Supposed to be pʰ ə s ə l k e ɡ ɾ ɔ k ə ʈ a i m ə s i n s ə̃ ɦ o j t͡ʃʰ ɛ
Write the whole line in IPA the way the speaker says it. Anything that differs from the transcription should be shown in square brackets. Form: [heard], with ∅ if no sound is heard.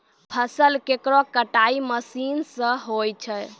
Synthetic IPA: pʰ ə s ə l k e [k] ɾ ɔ k ə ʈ a i m ə s i n s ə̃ ɦ o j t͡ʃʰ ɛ